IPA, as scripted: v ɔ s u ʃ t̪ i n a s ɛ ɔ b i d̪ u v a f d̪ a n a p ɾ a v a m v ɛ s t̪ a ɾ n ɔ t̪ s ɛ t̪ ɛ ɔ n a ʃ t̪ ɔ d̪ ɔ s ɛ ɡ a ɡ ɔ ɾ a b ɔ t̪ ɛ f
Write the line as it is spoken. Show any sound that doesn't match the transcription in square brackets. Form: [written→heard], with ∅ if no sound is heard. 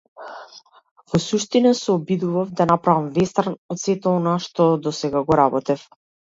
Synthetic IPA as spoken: v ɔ s u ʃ t̪ i n a s ɛ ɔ b i d̪ u v a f d̪ a n a p ɾ a v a m v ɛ s t̪ a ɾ n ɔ t̪ s ɛ t̪ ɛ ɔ n a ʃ t̪ ɔ d̪ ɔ s ɛ ɡ a ɡ ɔ ɾ a b ɔ t̪ ɛ f

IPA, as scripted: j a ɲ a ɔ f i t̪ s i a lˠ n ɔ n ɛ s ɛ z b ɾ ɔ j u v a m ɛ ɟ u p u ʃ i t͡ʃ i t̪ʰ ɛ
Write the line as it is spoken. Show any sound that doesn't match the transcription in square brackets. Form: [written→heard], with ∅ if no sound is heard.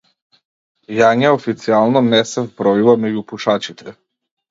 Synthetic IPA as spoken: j a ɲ a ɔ f i t̪ s i a lˠ n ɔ n ɛ s ɛ [z→v] b ɾ ɔ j u v a m ɛ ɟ u p u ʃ [i→a] t͡ʃ i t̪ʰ ɛ

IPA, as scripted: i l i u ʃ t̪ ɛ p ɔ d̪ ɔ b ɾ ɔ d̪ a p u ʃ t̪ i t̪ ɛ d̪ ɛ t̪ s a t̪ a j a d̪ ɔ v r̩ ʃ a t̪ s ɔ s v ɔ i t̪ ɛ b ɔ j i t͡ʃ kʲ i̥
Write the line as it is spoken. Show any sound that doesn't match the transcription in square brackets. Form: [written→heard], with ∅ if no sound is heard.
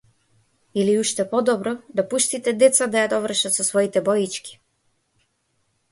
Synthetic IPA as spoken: i l i u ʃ t̪ ɛ p ɔ d̪ ɔ b ɾ ɔ d̪ a p u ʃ t̪ i t̪ ɛ d̪ ɛ t̪ s a [t̪→d̪] a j a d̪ ɔ v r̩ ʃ a t̪ s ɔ s v ɔ i t̪ ɛ b ɔ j i t͡ʃ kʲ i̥

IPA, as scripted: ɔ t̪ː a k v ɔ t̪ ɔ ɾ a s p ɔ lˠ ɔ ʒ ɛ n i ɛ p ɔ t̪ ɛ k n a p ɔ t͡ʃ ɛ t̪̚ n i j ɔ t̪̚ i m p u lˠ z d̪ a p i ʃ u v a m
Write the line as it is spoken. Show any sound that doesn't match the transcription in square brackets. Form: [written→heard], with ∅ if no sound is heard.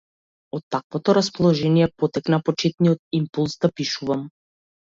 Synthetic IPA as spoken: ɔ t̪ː a k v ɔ t̪ ɔ ɾ a s p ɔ lˠ ɔ ʒ ɛ n i ɛ p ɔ t̪ ɛ k n a p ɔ t͡ʃ ɛ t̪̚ n i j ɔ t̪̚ i m p u lˠ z d̪ a p i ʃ u v a m

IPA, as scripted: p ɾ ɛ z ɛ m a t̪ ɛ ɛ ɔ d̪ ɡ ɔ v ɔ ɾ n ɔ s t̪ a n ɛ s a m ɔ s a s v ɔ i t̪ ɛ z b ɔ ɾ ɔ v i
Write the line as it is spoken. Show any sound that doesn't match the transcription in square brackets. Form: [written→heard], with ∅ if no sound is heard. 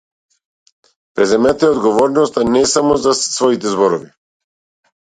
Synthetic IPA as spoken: p ɾ ɛ z ɛ m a t̪ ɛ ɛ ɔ d̪ ɡ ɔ v ɔ ɾ n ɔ s t̪ a n ɛ s a m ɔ [s→z] a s v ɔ i t̪ ɛ z b ɔ ɾ ɔ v i

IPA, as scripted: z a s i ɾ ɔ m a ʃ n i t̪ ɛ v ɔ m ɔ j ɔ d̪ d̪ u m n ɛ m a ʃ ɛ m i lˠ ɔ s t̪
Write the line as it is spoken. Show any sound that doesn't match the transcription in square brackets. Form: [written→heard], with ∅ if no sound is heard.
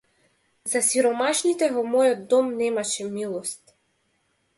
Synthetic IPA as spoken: z a s i ɾ ɔ m a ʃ n i t̪ ɛ v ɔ m ɔ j ɔ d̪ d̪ [u→ɔ] m n ɛ m a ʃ ɛ m i lˠ ɔ s t̪

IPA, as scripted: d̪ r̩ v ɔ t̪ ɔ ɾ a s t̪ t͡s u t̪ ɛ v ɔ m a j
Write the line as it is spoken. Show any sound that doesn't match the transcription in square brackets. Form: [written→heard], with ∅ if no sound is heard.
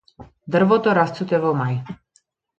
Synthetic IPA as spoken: d̪ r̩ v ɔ t̪ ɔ ɾ a s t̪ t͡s u t̪ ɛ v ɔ m a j

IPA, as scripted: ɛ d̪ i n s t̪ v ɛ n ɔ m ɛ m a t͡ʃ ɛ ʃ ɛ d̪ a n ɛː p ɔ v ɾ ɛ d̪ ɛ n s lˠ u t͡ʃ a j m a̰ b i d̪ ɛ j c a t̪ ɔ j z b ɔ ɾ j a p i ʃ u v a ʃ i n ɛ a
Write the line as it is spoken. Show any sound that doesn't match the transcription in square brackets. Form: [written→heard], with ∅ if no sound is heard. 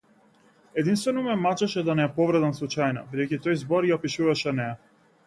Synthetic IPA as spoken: ɛ d̪ i n s t̪ v ɛ n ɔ m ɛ m a t͡ʃ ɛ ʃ ɛ d̪ a n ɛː p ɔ v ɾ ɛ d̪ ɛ n s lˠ u t͡ʃ a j [m→n] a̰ b i d̪ ɛ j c [a→i] t̪ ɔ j z b ɔ ɾ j a p i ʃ u v a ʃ [i→ɛ] n ɛ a

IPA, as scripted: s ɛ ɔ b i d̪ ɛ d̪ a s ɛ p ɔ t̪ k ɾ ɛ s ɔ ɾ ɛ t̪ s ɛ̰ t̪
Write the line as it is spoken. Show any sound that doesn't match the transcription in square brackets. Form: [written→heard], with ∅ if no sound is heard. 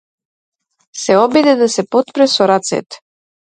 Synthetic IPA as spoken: s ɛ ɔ b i d̪ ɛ d̪ a s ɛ p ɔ t̪ [k→p] ɾ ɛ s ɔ ɾ [ɛ→a] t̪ s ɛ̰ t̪

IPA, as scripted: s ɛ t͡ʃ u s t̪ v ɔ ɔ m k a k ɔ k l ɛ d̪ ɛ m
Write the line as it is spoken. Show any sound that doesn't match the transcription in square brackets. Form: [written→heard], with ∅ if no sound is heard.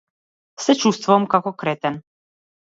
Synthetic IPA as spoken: s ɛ t͡ʃ u s t̪ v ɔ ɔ m k a k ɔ k [l→ɾ] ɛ [d̪→t̪] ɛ [m→n]

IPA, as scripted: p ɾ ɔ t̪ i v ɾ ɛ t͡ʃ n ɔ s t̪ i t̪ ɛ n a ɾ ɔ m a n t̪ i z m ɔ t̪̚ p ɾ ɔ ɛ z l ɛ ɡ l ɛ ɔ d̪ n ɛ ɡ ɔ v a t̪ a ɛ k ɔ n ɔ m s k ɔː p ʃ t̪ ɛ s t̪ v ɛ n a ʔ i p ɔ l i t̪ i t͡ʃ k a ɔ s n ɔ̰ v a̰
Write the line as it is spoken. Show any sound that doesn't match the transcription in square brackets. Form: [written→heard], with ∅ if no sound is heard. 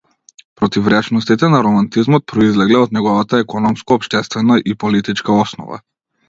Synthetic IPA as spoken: p ɾ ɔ t̪ i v ɾ ɛ t͡ʃ n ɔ s t̪ i t̪ ɛ n a ɾ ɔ m a n t̪ i z m ɔ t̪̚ p ɾ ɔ [ɛ→i] z l ɛ ɡ l ɛ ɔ d̪ n ɛ ɡ ɔ v a t̪ a ɛ k ɔ n ɔ m s k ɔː p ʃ t̪ ɛ s t̪ v ɛ n a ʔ i p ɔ l i t̪ i t͡ʃ k a ɔ s n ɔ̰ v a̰

